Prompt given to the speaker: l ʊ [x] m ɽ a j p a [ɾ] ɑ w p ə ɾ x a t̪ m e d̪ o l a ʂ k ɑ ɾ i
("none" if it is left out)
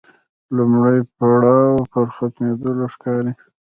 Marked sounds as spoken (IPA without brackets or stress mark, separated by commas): none, ɽ